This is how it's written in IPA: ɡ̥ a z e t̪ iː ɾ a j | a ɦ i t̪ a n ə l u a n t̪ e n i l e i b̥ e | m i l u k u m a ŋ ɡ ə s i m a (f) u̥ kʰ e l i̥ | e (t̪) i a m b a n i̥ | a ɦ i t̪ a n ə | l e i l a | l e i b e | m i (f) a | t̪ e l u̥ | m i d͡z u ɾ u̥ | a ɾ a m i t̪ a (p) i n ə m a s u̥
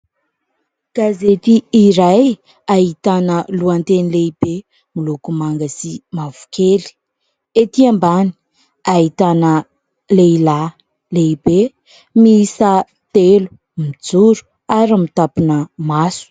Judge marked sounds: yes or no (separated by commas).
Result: no, yes, no, yes